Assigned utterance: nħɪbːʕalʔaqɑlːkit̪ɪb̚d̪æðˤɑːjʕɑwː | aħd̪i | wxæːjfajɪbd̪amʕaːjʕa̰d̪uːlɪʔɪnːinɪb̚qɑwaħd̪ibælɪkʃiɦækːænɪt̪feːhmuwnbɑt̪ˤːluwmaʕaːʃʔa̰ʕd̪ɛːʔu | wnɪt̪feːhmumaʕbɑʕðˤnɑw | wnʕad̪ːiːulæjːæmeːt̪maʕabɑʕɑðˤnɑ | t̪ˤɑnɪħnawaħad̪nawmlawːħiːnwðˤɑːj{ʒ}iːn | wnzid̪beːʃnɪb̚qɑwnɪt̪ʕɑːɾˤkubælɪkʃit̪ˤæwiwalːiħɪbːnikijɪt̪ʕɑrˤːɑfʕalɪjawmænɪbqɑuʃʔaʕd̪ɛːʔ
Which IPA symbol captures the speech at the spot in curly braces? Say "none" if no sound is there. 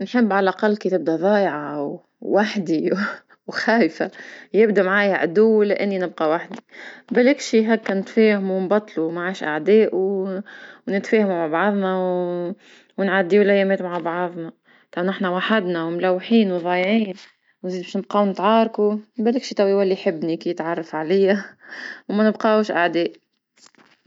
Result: ʕ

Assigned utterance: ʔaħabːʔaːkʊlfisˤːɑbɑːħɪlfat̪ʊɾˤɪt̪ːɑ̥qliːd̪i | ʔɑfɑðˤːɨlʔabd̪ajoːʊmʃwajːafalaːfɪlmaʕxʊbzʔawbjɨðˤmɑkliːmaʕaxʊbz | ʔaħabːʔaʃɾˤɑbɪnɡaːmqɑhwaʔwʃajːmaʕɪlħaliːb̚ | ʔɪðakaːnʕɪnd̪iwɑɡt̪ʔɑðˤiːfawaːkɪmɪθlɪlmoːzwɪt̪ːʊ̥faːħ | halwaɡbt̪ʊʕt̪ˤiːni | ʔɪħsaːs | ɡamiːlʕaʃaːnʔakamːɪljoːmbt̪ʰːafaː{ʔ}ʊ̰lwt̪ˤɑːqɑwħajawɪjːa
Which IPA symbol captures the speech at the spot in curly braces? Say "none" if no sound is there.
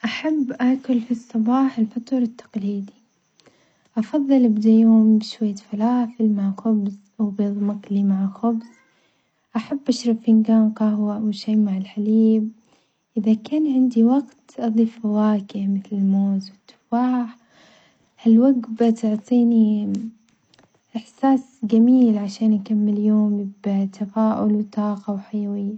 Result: ʔ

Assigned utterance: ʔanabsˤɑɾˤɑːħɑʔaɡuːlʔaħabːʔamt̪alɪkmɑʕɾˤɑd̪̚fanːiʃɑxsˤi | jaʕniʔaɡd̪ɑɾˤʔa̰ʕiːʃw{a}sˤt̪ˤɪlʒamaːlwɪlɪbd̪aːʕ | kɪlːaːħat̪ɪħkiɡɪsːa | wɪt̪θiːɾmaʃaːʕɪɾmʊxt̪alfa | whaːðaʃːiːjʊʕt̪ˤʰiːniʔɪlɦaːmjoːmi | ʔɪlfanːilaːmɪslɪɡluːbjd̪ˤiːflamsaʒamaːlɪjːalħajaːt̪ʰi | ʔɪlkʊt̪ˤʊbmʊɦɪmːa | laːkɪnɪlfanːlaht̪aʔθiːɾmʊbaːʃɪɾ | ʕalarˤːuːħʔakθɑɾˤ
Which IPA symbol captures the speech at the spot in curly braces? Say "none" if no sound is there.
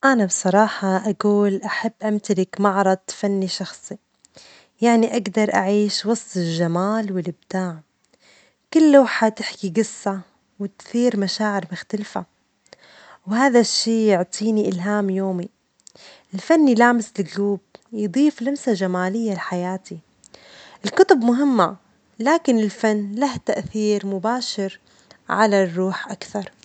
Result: ɑ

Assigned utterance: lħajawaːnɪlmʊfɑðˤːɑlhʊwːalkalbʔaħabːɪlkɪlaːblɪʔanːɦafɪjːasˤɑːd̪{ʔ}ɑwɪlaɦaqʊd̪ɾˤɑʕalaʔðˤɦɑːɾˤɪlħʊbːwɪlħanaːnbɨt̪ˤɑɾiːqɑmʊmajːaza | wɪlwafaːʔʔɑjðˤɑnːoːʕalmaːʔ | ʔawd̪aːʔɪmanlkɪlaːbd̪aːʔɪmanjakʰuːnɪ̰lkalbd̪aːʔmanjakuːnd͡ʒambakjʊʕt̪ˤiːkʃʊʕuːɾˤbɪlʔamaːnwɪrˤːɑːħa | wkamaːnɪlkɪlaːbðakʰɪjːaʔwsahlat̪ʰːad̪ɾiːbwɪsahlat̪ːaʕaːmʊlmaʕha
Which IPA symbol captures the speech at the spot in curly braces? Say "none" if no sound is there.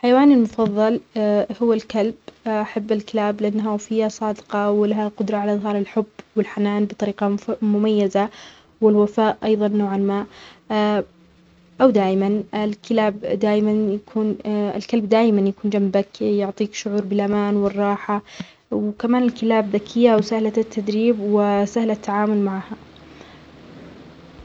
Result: q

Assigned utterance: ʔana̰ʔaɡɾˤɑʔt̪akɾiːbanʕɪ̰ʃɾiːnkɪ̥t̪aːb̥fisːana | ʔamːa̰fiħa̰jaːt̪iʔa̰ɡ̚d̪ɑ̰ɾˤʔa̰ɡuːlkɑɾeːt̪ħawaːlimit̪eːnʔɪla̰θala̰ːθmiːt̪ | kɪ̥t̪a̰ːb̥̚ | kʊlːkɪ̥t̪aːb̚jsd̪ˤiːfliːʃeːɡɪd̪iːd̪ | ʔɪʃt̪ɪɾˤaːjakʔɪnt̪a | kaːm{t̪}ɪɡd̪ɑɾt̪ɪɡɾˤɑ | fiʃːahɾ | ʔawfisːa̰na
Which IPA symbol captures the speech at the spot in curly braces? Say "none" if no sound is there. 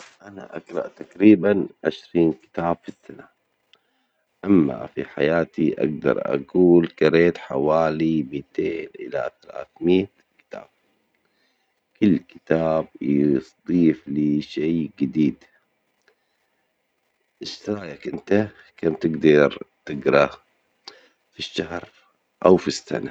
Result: t̪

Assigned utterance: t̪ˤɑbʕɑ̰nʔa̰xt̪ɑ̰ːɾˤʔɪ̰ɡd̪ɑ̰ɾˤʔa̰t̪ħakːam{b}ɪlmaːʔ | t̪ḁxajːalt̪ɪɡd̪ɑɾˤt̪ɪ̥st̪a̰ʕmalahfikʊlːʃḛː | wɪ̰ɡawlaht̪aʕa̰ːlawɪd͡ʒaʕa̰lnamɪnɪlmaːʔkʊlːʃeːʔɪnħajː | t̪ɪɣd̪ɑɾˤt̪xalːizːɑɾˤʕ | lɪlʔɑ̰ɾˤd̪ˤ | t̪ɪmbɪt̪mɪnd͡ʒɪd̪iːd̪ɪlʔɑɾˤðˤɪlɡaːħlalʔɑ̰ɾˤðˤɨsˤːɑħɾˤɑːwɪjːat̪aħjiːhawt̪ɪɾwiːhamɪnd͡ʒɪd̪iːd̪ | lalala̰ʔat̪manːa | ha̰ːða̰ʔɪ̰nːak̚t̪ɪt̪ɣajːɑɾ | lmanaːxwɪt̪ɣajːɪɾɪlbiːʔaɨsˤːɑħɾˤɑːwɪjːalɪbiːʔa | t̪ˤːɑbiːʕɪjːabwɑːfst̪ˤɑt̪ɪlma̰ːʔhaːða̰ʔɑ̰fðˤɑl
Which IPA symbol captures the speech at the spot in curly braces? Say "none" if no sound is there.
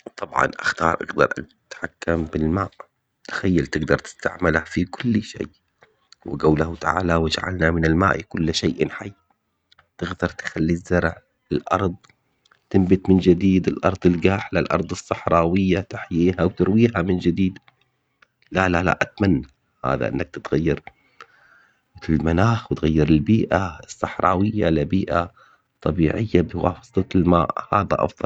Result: b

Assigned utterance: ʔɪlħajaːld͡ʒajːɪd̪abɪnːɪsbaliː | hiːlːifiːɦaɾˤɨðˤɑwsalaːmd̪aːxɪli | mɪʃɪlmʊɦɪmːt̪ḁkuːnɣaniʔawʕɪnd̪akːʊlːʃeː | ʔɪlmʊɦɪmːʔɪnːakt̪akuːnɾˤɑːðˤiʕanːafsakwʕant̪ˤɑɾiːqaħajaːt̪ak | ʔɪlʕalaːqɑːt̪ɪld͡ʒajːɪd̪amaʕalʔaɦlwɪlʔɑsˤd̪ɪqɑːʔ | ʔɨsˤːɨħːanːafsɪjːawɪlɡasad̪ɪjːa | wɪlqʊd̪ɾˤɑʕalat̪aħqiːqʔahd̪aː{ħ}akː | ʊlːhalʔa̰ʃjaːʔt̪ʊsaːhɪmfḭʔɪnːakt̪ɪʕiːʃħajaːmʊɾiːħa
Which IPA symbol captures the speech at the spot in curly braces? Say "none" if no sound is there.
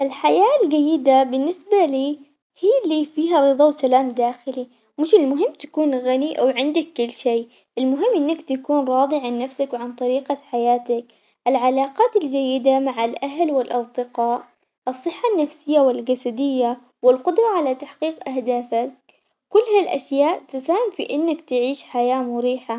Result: f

